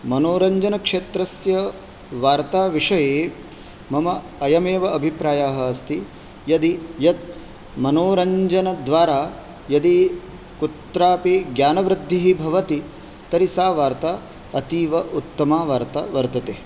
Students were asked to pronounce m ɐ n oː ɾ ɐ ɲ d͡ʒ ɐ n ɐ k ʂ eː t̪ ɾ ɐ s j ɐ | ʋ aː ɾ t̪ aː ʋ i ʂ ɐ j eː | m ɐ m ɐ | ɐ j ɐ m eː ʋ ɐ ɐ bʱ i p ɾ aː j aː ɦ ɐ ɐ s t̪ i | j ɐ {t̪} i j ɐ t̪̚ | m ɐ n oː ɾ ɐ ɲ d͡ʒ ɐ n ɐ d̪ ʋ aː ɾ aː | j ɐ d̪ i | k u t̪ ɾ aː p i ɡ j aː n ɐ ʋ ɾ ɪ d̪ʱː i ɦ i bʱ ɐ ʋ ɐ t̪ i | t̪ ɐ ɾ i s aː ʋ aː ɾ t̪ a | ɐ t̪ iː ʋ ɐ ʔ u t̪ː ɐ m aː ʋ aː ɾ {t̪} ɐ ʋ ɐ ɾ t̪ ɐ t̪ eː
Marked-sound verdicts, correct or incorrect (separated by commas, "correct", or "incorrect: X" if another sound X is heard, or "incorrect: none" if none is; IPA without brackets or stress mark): incorrect: d̪, correct